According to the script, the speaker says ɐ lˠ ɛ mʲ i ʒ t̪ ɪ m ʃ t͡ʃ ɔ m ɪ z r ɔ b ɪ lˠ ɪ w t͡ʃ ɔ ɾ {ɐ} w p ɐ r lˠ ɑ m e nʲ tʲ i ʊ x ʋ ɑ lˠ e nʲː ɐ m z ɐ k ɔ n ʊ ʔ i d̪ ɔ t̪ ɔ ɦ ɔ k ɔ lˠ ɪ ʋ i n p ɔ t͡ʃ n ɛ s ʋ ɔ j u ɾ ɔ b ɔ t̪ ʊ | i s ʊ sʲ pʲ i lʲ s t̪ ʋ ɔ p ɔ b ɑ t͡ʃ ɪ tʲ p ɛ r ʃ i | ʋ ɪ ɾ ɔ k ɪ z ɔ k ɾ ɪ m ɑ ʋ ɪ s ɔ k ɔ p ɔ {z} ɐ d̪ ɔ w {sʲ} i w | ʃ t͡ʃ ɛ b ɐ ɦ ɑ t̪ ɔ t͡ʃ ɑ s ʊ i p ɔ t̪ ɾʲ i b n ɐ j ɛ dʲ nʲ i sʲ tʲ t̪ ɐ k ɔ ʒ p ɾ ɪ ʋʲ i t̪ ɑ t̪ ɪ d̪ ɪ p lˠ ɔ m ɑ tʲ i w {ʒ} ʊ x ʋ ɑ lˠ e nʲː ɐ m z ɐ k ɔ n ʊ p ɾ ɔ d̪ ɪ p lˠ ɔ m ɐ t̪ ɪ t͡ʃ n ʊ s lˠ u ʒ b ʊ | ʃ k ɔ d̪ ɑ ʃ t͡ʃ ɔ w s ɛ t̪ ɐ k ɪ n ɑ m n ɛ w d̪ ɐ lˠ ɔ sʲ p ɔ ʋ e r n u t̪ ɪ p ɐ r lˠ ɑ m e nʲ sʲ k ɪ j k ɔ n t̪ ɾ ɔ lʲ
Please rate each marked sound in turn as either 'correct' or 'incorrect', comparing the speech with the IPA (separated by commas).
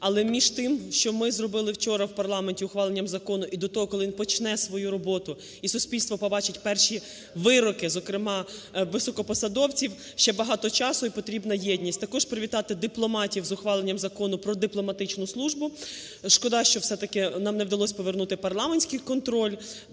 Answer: correct, incorrect, incorrect, incorrect